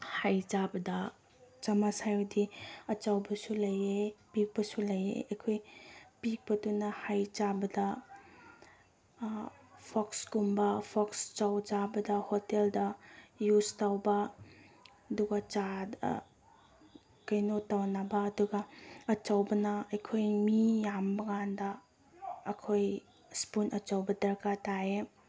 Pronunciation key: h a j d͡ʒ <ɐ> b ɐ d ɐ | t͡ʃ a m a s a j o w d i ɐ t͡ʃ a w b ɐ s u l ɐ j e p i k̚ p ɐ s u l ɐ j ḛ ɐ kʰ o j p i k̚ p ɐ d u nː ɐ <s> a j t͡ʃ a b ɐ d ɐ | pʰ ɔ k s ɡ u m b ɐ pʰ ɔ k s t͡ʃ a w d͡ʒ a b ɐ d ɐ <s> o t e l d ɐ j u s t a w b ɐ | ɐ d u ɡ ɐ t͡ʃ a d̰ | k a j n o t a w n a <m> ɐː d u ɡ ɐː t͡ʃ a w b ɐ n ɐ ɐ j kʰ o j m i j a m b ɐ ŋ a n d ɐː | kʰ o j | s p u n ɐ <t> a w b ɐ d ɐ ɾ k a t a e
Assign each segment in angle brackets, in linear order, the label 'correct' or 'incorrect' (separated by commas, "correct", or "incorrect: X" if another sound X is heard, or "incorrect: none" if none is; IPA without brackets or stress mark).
incorrect: a, incorrect: h, incorrect: h, incorrect: b, incorrect: t͡ʃ